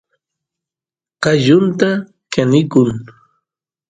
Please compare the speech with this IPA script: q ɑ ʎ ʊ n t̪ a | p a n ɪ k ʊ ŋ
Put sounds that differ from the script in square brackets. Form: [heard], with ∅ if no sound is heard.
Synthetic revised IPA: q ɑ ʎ ʊ n t̪ a | [k] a n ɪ k ʊ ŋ